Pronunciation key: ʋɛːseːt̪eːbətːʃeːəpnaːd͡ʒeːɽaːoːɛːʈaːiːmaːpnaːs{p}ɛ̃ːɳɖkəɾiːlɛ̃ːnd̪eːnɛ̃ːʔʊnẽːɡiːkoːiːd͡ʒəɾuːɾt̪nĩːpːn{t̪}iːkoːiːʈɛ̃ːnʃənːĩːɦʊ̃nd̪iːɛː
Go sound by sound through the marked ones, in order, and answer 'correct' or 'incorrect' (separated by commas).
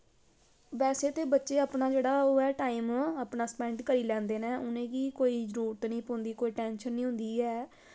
correct, incorrect